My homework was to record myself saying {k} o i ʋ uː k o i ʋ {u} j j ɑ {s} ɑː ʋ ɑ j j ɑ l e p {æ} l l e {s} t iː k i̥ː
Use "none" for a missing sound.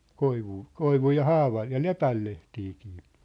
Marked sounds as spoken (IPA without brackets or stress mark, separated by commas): k, u, h, æ, h